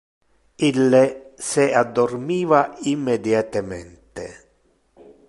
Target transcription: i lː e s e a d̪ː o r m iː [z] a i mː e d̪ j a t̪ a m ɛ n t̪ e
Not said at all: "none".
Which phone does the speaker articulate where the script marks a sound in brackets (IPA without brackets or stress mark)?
v